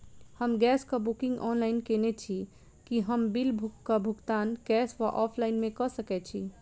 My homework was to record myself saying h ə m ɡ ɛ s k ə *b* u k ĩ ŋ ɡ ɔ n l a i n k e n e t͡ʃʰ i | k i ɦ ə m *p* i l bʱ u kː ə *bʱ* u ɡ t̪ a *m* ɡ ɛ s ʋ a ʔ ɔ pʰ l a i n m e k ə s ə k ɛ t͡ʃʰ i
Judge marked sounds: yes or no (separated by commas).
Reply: yes, no, yes, no